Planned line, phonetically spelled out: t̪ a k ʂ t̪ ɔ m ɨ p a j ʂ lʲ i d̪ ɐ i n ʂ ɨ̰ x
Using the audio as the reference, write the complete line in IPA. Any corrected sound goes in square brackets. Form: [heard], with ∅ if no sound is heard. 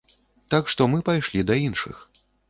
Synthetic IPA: t̪ a k ʂ t̪ ɔ m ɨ p a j ʂ lʲ i d̪ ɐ i n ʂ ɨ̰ x